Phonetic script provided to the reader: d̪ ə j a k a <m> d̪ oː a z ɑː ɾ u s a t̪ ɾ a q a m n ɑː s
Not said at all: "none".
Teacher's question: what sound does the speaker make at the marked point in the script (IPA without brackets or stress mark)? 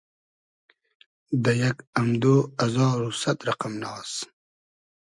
m